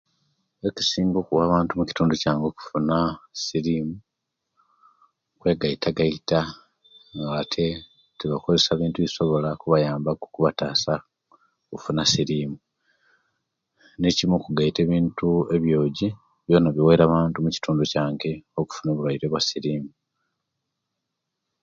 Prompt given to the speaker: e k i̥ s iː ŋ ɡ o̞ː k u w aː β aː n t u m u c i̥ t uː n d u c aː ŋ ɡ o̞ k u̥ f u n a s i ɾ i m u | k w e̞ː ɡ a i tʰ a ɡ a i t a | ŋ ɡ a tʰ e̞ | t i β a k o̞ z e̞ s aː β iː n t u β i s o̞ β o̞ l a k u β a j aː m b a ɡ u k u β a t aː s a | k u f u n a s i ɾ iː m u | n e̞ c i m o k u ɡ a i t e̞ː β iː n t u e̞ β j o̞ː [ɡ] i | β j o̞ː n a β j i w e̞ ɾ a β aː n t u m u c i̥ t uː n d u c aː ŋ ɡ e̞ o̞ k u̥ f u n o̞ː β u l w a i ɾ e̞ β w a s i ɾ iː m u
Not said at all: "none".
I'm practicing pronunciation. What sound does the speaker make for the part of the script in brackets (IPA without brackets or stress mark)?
ɟ